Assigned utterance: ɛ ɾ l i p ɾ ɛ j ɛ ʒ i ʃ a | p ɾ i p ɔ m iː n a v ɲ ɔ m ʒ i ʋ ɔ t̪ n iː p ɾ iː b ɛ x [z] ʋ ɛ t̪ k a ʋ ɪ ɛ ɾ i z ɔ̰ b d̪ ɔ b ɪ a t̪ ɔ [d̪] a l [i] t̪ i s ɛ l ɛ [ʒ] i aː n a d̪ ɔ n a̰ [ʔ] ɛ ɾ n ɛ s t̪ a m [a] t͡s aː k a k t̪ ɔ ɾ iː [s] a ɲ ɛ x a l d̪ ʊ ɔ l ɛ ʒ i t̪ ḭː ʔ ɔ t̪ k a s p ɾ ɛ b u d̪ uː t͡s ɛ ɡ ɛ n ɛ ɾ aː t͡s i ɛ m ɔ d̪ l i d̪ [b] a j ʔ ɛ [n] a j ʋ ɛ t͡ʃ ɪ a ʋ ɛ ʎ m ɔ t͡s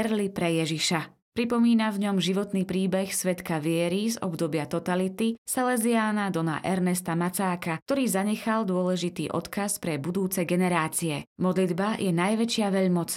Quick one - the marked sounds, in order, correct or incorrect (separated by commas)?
incorrect, incorrect, correct, incorrect, correct, correct, incorrect, correct, correct